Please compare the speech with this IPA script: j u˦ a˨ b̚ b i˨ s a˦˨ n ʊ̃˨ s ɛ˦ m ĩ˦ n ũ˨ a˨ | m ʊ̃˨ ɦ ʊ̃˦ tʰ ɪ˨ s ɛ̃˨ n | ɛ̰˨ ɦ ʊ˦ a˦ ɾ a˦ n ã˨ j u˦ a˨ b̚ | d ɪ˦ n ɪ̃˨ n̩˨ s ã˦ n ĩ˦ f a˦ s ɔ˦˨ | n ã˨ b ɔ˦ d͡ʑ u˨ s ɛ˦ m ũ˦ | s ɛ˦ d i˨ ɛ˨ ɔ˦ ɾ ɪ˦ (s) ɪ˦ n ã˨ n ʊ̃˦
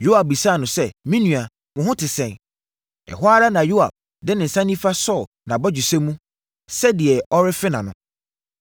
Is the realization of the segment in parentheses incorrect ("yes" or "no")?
yes